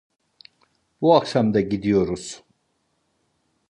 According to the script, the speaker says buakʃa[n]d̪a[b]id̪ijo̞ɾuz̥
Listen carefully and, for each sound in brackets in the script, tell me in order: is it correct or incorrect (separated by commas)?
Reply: incorrect, incorrect